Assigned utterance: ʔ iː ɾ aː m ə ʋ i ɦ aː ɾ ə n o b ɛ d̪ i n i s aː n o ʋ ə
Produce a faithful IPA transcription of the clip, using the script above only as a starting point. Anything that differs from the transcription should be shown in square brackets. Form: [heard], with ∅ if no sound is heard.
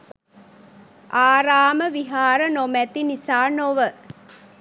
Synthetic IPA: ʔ [aː] ɾ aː m ə ʋ i ɦ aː ɾ ə n o [m] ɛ [t̪] i n i s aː n o ʋ ə

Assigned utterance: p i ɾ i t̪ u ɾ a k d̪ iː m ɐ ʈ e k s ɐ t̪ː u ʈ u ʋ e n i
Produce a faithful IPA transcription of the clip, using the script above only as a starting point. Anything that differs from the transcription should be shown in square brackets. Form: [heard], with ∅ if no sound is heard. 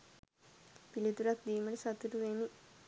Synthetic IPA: p i [l] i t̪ u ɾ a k d̪ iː m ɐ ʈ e [∅] s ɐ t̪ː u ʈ u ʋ e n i

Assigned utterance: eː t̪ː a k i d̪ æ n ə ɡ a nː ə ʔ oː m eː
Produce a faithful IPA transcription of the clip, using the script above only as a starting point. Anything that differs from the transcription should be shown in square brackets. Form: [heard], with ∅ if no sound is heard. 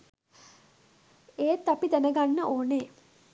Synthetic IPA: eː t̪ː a [p] i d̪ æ n ə ɡ a nː ə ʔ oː [n] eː

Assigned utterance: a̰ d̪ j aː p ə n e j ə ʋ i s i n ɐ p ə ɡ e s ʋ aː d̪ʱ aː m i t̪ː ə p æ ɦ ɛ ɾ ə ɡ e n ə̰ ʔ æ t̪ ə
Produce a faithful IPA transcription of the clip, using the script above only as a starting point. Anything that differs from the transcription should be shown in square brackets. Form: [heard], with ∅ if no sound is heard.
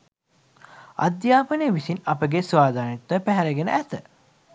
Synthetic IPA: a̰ d̪ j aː p ə n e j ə ʋ i s i n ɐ p ə ɡ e s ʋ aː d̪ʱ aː [n] i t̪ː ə p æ ɦ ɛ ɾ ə ɡ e n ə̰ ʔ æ t̪ ə

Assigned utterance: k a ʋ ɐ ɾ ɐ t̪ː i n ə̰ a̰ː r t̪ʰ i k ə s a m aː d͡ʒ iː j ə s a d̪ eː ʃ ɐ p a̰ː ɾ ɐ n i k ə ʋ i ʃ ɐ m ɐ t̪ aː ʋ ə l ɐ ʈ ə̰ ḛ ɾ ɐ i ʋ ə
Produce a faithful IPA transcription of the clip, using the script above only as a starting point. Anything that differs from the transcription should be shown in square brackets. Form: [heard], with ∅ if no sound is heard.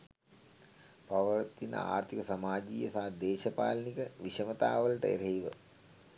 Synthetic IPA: [p] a ʋ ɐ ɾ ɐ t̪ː i n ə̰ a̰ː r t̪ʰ i k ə s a m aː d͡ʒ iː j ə s a d̪ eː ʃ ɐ p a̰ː [l] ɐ n i k ə ʋ i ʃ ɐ m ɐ t̪ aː ʋ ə l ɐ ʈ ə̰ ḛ ɾ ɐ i ʋ ə

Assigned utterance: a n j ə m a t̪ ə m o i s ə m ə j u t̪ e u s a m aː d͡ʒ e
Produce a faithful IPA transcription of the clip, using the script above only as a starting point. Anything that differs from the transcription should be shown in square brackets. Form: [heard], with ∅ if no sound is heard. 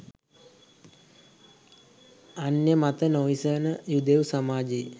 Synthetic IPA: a n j ə m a t̪ ə [n] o i s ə [n] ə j u [d̪] e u s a m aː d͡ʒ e

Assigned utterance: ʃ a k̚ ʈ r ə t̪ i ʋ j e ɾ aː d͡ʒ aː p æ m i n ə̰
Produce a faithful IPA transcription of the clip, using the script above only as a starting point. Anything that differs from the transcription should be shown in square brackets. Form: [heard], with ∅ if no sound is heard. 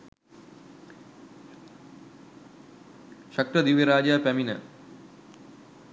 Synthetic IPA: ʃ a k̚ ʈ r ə [d̪] i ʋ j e ɾ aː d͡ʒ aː p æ m i n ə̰

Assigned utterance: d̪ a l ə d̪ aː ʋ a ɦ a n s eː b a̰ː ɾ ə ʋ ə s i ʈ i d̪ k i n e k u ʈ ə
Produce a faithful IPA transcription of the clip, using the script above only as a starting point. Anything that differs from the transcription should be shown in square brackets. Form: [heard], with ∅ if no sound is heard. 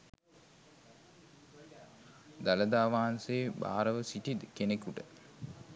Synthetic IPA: d̪ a l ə d̪ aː ʋ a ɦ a n s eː b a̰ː ɾ ə ʋ ə s i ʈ i d̪ k [e] n e k u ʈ ə

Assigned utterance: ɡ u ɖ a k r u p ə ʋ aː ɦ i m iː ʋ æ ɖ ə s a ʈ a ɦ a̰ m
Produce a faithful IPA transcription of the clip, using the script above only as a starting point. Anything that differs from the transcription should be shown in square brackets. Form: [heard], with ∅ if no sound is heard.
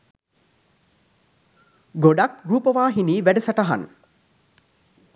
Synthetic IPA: ɡ [o] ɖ a k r [uː] p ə ʋ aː ɦ i [n] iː ʋ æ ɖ ə s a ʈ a ɦ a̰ [n]

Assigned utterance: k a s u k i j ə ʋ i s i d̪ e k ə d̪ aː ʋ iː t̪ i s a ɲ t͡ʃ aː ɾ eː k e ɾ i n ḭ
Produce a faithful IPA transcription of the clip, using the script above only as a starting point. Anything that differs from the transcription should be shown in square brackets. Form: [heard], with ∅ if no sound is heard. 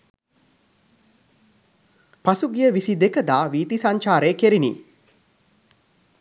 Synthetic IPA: [p] a s u [ɡ] i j ə ʋ i s i d̪ e k ə d̪ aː ʋ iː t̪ i s a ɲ t͡ʃ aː ɾ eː k e ɾ i n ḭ

